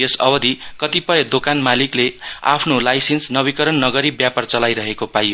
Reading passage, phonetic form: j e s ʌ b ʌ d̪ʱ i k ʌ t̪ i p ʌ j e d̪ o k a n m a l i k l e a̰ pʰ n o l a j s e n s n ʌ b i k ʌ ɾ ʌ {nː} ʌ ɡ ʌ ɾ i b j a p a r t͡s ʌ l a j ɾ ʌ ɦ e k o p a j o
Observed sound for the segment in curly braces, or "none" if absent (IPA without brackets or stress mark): nː